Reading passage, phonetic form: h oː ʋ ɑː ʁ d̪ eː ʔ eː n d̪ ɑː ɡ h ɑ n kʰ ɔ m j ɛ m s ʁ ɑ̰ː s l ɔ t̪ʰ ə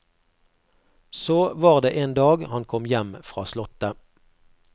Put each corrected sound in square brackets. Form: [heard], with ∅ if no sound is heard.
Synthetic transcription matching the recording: [s] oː ʋ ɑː ʁ d̪ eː ʔ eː n d̪ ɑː ɡ h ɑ n kʰ ɔ m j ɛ m [f] ʁ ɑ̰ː s l ɔ [t̪] ə